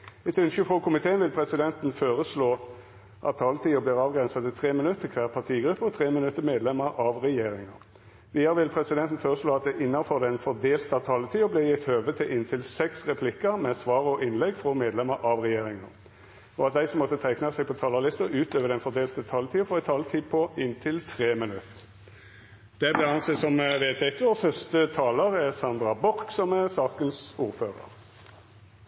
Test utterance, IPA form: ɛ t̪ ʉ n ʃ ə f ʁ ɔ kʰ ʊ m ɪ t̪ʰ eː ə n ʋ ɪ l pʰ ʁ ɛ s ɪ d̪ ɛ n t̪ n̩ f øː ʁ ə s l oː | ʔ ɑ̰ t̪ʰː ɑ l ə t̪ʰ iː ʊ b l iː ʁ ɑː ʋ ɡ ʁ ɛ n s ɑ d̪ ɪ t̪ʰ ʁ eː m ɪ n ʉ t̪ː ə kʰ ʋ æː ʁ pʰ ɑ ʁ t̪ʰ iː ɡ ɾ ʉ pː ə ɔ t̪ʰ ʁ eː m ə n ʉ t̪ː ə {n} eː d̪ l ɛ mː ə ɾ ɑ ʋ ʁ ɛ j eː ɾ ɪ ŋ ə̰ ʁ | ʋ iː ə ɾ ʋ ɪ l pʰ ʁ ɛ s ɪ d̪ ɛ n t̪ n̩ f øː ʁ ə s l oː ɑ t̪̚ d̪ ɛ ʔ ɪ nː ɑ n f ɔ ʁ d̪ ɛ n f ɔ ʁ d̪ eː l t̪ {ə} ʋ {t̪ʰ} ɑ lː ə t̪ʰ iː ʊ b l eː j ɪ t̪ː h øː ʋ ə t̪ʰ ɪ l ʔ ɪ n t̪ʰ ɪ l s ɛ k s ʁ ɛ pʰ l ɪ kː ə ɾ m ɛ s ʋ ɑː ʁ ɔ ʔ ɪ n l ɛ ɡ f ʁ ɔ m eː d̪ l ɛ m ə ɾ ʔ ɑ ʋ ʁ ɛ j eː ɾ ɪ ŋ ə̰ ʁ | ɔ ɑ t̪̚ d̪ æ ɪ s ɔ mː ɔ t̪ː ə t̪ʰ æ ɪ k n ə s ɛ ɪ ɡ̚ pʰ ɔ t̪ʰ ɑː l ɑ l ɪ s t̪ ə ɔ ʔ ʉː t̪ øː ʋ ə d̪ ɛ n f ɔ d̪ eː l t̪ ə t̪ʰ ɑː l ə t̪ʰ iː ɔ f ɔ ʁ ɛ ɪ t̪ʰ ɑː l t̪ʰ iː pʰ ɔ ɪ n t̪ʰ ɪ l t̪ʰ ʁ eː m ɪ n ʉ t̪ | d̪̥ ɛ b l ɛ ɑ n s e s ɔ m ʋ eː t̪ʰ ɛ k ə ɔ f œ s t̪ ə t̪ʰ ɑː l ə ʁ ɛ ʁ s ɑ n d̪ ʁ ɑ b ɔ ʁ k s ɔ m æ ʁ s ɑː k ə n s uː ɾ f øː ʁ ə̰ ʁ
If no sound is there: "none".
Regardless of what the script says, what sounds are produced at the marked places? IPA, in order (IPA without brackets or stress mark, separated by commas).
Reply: m, ɑ, t̪ʰ